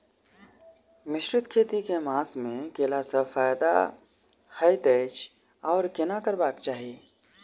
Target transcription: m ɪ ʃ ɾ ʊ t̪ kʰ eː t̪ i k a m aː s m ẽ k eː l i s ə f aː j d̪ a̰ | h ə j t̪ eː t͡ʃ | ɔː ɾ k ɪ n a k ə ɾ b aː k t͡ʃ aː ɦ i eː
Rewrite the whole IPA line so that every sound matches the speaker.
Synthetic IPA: m ɪ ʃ ɾ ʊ t̪ kʰ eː t̪ i k e m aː s m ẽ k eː l a s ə f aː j d̪ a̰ | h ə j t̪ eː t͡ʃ | ɔː ɾ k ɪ n a k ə ɾ b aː k t͡ʃ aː ɦ i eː